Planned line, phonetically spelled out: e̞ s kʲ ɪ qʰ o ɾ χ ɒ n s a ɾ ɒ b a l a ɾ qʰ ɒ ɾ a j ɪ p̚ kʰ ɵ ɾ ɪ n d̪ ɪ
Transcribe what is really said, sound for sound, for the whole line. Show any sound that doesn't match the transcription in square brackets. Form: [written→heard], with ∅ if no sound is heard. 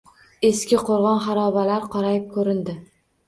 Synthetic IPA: e̞ s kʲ ɪ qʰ o ɾ [χ→ʁ] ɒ n [s→χ] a ɾ ɒ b a l a ɾ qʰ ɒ ɾ a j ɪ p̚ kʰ ɵ ɾ ɪ n d̪ ɪ